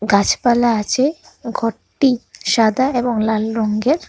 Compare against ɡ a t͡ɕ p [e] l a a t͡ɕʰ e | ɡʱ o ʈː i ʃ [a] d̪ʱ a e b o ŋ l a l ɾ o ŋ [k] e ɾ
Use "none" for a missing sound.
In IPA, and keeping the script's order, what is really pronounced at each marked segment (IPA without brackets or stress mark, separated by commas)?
a, a, ɡ